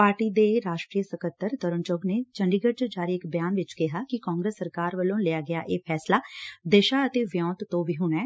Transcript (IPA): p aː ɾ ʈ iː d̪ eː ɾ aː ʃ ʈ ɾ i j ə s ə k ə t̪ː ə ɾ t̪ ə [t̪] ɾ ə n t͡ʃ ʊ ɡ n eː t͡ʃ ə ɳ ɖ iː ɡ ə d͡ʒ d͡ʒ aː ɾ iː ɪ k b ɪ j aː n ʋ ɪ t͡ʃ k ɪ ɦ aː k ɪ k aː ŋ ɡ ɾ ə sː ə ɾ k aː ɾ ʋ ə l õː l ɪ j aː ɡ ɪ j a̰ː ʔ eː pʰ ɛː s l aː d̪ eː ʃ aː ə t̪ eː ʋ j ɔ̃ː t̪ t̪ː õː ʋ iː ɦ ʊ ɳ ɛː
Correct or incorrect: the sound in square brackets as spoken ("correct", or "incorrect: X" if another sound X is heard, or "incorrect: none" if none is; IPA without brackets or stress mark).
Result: incorrect: none